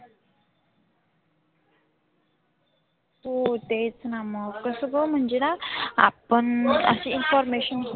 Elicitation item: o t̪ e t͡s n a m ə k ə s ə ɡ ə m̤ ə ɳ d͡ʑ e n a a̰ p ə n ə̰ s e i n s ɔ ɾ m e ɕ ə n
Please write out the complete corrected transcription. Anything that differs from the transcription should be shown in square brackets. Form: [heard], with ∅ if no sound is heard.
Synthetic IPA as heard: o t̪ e t͡s n a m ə k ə s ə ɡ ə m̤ ə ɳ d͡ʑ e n a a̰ p ə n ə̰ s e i n [f] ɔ ɾ m e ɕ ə n